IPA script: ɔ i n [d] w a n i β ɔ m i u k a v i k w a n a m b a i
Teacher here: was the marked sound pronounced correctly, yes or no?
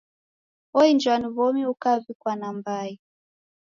no